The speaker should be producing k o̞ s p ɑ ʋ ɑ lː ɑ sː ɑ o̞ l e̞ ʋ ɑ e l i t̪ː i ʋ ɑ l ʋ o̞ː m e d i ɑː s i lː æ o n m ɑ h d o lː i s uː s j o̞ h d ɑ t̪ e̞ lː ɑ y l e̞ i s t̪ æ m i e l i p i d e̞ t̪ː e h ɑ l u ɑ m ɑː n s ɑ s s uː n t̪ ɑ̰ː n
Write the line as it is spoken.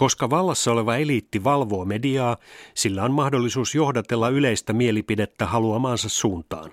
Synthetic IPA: k o̞ s k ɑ ʋ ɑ lː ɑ sː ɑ o̞ l e̞ ʋ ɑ e l i t̪ː i ʋ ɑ l ʋ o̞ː m e d i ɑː s i lː æ o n m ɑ h d o lː i s uː s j o̞ h d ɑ t̪ e̞ lː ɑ y l e̞ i s t̪ æ m i e l i p i d e̞ t̪ː æ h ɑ l u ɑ m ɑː n s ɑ s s uː n t̪ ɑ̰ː n